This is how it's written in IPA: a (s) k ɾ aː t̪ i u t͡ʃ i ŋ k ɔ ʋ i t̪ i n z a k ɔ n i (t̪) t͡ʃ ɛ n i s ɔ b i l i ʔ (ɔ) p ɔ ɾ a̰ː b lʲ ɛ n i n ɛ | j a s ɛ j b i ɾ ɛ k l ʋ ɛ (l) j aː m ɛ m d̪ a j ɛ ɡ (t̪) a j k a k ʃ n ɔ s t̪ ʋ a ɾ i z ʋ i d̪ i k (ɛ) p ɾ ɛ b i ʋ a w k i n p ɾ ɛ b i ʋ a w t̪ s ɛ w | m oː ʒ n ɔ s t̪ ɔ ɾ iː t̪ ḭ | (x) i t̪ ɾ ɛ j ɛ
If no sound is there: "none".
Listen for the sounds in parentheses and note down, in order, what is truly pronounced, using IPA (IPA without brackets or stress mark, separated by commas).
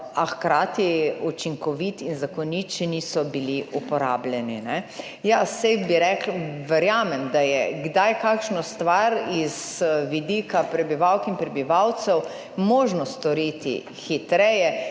x, t̪, u, ɾ, d̪, a, x